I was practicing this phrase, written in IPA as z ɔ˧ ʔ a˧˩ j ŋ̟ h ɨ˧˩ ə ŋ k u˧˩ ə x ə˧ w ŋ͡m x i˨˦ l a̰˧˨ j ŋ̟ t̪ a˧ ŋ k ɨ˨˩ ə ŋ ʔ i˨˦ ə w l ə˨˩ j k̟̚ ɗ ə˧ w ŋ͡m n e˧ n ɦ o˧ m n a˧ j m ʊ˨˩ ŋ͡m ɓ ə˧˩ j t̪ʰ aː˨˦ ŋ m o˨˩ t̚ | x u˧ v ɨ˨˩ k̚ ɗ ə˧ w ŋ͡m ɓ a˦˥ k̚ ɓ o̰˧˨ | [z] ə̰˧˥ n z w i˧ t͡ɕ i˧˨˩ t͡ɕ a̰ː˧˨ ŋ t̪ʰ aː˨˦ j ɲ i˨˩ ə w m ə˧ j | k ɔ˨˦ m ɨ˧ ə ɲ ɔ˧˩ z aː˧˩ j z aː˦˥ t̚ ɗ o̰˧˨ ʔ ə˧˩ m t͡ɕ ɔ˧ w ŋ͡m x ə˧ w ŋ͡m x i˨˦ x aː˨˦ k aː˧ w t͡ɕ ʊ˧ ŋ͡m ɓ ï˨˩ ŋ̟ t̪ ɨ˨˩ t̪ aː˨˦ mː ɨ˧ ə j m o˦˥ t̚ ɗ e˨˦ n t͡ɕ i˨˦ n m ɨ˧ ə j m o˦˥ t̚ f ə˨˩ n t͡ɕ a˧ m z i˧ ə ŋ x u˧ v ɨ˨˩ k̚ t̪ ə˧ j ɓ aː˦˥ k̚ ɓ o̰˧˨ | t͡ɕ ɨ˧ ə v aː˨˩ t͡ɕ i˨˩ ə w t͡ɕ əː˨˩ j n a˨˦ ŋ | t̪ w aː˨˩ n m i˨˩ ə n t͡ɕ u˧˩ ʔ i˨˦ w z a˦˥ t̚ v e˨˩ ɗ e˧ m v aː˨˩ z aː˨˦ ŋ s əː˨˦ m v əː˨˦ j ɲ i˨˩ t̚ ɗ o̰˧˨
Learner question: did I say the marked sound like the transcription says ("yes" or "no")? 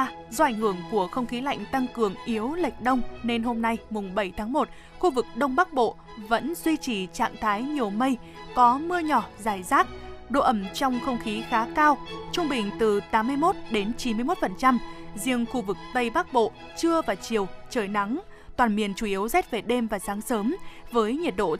no